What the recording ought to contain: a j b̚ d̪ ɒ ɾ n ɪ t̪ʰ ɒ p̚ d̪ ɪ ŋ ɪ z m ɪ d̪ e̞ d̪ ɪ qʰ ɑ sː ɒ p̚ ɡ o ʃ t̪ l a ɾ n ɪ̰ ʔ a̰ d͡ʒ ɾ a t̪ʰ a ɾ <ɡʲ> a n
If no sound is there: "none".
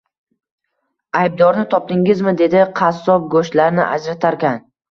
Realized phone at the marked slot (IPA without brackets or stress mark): kʲ